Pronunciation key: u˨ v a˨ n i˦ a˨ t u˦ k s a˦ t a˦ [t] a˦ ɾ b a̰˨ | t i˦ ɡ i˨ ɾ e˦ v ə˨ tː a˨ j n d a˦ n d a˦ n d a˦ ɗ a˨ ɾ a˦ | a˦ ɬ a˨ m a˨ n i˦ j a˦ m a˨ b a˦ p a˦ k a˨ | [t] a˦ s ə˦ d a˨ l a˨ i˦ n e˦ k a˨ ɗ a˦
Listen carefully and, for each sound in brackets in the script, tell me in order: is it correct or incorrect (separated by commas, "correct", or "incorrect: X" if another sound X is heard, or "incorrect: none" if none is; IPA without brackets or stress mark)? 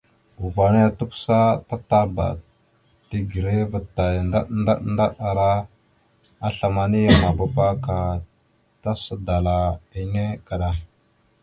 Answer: correct, correct